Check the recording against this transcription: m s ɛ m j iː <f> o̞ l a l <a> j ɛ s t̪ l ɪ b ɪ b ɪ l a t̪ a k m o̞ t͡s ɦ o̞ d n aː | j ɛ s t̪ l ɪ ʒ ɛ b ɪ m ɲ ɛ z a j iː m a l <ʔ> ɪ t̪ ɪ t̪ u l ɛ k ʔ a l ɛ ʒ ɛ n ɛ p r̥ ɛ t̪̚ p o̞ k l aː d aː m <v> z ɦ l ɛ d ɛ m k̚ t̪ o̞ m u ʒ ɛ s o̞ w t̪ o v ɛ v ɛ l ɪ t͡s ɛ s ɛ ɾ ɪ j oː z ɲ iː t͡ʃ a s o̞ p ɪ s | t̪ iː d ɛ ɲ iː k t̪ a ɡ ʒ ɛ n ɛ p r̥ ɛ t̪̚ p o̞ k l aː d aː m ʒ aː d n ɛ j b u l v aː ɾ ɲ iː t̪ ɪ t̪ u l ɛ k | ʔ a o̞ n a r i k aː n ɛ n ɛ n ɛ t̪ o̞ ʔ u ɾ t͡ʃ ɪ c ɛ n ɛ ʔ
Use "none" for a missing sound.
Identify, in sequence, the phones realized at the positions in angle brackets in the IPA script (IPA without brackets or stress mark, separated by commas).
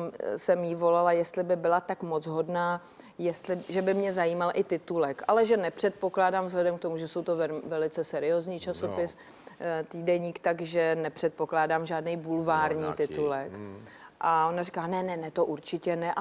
v, a, ʔ, v